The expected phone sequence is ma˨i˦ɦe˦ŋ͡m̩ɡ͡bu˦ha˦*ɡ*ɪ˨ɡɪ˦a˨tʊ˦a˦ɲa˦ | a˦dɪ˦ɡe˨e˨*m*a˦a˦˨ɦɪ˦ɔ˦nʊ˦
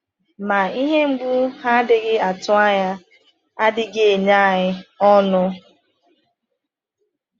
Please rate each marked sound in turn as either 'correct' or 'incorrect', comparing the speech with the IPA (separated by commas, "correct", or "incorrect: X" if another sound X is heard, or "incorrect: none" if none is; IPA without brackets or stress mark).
incorrect: d, incorrect: ɲ